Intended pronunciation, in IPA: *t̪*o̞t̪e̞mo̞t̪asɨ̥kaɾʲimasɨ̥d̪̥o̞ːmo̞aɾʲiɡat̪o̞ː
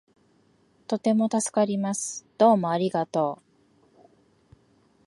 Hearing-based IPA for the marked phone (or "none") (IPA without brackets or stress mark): t̪